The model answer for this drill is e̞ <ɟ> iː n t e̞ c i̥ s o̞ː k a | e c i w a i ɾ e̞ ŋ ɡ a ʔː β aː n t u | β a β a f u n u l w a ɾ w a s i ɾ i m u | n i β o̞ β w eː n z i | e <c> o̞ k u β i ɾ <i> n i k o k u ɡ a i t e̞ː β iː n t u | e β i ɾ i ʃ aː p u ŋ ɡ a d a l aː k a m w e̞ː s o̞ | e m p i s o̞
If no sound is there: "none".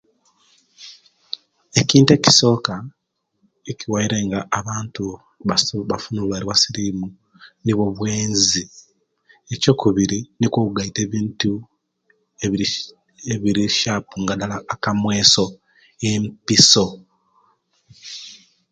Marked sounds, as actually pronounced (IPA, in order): c, c, i

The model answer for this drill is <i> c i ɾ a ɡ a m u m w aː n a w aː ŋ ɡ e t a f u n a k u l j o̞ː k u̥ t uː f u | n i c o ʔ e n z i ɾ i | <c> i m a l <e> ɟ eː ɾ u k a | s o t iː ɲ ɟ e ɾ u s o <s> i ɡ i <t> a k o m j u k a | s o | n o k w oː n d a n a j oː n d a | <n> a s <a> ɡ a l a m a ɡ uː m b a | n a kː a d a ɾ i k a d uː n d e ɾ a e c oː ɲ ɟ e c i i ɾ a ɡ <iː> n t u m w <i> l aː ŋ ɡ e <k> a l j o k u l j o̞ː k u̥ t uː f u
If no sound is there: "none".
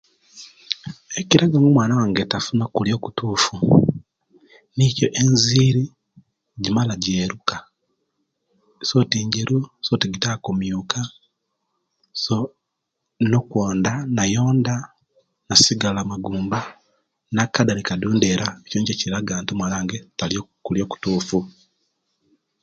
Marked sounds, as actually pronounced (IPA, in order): e, ɟ, a, t, t, n, i, aː, a, t

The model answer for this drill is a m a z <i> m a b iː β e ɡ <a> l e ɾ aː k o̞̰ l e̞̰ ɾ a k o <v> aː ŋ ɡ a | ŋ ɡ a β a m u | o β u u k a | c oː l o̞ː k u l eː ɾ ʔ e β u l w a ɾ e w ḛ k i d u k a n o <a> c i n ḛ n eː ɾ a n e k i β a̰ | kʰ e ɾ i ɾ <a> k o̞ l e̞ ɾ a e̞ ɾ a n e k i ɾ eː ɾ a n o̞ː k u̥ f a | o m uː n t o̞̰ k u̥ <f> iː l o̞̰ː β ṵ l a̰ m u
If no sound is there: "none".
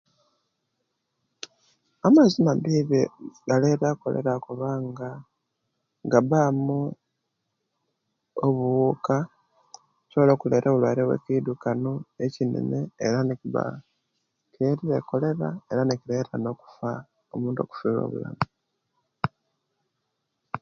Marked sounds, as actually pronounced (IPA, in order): i, a, β, e, e, f

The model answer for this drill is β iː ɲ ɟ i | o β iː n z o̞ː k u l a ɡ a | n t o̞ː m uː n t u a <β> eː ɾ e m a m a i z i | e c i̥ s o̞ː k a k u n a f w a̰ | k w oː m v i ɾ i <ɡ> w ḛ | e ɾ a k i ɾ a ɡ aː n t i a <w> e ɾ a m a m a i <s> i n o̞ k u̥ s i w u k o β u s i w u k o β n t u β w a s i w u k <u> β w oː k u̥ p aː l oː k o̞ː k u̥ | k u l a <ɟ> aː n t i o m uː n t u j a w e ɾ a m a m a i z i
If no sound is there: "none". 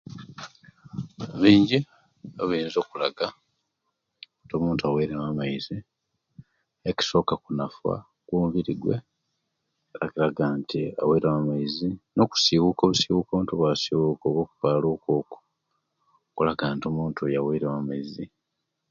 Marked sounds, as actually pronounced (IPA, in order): w, ɡ, w, z, o, ɡ

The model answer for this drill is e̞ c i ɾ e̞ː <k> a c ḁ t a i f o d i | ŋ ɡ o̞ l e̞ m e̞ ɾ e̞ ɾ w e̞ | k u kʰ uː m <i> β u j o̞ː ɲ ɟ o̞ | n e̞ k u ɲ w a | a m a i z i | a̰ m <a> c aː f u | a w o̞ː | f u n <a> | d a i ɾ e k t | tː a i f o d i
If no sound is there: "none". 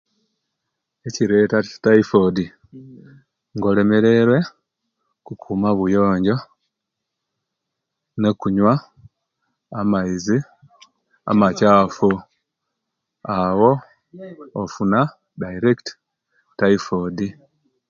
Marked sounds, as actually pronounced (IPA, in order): t, a, a, a

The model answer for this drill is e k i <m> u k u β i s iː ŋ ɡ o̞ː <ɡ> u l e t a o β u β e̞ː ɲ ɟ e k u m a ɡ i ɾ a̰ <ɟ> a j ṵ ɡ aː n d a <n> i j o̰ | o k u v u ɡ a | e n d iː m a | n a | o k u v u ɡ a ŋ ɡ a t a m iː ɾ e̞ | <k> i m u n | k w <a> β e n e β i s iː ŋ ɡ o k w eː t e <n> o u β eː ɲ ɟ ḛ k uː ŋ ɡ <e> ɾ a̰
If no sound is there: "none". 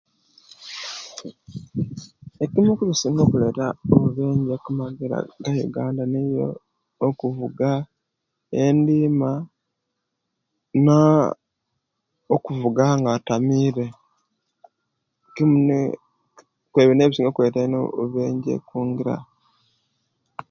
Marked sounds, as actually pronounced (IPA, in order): m, k, ɡ, n, k, e, n, i

